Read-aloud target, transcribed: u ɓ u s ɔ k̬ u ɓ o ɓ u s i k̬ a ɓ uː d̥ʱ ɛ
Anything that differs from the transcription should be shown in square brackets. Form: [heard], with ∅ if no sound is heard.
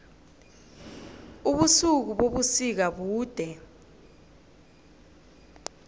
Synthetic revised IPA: u ɓ u s [u] k̬ u ɓ o ɓ u s i k̬ a ɓ uː d̥ʱ ɛ